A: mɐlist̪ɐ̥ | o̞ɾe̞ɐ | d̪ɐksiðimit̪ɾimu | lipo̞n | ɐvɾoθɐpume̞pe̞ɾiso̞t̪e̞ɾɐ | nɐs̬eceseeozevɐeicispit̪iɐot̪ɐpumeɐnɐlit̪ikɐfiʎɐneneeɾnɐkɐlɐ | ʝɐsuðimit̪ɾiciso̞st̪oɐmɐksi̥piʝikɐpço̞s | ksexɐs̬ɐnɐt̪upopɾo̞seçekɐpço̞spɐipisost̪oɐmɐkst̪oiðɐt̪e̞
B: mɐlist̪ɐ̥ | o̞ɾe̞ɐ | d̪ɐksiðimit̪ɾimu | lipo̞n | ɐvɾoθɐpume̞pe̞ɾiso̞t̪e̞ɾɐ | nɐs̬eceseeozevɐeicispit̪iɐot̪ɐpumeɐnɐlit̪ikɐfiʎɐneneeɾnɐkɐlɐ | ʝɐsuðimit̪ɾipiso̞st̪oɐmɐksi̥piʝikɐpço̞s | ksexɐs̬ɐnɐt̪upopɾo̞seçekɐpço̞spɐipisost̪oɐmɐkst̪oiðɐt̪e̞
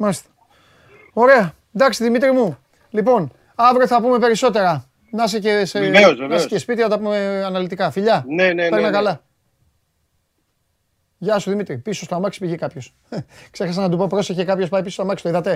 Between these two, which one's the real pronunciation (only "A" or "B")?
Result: B